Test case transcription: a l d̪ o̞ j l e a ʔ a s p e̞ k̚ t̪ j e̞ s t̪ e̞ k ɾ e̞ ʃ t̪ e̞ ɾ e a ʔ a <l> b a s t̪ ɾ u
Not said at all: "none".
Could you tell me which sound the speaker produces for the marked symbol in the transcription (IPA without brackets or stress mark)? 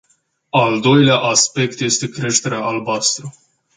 l